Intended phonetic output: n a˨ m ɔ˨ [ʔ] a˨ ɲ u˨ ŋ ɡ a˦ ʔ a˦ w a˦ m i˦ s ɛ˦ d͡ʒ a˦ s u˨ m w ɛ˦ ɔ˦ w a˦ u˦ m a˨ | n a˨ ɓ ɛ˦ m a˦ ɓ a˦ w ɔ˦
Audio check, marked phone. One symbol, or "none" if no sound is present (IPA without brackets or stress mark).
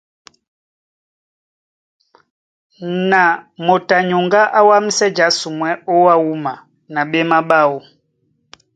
t